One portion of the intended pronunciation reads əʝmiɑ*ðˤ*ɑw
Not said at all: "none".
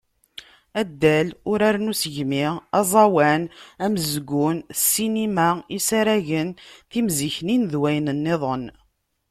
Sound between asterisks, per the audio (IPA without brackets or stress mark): zˤ